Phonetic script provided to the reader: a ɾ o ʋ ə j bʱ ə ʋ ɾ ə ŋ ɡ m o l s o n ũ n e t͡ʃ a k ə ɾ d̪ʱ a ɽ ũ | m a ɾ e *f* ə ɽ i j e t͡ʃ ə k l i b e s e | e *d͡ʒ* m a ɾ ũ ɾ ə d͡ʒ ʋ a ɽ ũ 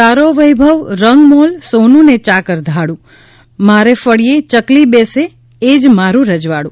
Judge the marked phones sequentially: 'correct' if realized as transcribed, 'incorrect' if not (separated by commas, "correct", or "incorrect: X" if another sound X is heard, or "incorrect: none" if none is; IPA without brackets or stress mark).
correct, correct